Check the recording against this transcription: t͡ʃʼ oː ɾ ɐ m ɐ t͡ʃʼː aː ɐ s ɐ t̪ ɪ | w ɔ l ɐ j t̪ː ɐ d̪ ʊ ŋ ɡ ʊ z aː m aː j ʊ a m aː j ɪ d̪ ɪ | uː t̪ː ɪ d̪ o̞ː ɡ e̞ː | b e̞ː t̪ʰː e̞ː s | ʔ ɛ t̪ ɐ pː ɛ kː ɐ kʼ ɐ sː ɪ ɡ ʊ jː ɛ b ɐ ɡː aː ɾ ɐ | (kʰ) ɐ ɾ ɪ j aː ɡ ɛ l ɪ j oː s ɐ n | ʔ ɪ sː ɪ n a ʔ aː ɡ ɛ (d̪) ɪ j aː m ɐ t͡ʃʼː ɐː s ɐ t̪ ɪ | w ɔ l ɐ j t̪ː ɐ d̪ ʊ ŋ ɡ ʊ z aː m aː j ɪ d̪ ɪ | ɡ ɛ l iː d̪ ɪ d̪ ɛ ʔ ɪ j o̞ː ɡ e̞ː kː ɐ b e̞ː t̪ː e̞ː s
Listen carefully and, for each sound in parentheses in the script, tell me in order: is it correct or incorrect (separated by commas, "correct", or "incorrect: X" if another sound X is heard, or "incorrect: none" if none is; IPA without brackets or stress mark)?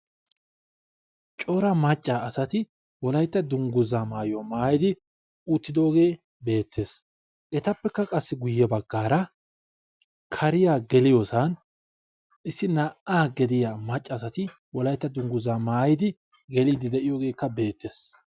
correct, correct